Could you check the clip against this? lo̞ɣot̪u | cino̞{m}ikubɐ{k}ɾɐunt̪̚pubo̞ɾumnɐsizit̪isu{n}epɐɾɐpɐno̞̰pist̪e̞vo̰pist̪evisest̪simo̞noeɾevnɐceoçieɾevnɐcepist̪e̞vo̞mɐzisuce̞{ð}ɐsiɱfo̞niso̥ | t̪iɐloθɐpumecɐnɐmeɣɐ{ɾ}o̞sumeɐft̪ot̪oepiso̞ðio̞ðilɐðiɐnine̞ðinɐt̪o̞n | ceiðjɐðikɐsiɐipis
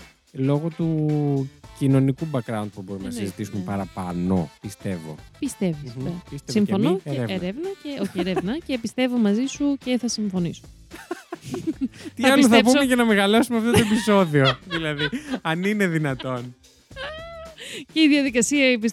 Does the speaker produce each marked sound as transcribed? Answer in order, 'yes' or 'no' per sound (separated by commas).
no, yes, no, no, no